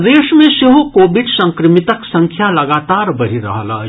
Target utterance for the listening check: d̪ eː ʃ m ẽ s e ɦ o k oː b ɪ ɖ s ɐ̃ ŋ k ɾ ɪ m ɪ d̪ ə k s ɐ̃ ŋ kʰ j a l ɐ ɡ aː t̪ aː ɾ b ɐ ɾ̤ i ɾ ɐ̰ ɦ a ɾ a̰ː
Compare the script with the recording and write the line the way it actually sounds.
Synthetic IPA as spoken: d̪ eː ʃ m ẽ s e ɦ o k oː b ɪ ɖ s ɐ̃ ŋ k ɾ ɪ m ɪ t̪ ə k s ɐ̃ ŋ kʰ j a l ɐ ɡ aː t̪ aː ɾ b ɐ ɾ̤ i ɾ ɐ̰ ɦ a l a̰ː